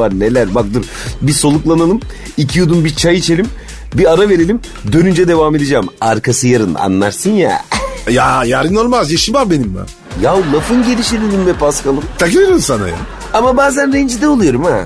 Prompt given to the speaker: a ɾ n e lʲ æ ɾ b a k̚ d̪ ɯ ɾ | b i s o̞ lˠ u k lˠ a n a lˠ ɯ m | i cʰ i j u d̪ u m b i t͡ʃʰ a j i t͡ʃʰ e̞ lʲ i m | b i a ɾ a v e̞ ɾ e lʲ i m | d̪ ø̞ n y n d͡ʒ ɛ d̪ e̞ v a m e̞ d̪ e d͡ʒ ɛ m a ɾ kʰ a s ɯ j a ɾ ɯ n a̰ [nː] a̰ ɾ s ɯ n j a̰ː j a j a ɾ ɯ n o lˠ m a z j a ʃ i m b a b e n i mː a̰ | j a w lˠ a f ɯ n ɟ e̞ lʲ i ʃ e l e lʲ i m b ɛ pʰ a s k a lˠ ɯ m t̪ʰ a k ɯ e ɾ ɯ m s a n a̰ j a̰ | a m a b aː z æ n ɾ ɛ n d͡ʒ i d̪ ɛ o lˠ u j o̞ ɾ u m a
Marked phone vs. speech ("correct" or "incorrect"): correct